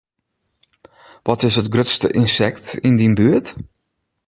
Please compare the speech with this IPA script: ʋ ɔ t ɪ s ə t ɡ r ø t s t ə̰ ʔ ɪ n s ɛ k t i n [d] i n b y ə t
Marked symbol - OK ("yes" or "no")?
yes